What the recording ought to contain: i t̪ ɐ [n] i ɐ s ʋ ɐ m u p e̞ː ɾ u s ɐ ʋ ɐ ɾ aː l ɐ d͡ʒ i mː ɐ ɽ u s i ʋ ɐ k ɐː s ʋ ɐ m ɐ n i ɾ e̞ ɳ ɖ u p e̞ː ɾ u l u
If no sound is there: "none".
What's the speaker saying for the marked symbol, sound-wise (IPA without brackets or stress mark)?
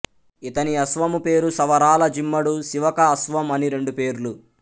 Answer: n